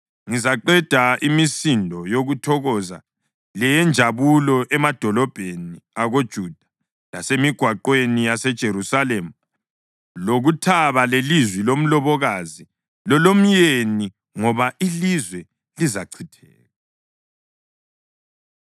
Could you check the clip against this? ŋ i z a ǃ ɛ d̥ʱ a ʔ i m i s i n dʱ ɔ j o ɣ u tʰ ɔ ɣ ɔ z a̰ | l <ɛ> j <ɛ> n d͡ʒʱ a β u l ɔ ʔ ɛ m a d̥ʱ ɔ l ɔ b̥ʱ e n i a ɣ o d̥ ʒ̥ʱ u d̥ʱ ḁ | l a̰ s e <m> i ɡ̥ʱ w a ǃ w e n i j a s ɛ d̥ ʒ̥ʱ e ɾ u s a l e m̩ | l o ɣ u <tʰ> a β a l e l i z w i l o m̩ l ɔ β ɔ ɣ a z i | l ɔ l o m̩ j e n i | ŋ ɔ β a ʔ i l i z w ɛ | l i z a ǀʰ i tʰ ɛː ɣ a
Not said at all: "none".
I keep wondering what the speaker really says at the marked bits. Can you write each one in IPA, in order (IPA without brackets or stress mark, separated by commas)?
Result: ɛ, ɛ, m, tʰ